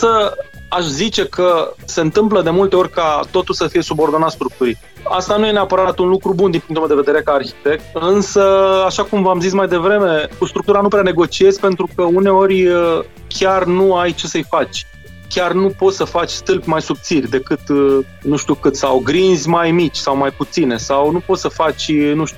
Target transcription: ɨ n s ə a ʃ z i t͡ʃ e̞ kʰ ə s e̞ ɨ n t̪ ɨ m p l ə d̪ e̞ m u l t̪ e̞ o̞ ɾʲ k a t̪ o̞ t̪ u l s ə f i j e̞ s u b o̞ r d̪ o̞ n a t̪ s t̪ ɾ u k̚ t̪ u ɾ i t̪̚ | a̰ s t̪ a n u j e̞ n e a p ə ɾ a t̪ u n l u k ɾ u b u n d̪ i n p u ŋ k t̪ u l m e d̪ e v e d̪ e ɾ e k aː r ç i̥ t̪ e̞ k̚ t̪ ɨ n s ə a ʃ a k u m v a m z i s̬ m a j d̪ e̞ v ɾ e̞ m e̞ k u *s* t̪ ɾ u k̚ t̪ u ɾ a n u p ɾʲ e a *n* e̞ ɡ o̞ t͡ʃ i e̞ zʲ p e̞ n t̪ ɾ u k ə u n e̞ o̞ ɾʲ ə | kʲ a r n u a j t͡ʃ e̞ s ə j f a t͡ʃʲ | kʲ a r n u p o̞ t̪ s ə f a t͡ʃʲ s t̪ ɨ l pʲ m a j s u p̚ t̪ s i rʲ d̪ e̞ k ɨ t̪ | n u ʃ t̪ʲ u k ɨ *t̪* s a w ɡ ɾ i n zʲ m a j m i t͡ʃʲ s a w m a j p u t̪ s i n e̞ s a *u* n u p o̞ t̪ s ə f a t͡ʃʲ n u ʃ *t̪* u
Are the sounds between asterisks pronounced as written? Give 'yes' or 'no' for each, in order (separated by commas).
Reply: yes, yes, yes, no, yes